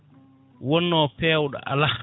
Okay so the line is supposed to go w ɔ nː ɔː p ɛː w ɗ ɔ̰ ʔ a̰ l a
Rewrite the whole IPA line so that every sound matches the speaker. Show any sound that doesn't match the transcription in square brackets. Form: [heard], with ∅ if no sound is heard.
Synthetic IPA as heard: w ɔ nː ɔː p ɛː w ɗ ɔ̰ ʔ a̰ l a